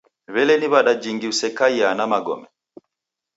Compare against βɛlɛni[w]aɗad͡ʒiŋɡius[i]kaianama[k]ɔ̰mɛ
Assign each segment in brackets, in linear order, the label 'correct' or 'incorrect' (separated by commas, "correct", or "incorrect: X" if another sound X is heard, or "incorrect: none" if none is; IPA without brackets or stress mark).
incorrect: β, incorrect: ɛ, incorrect: ɡ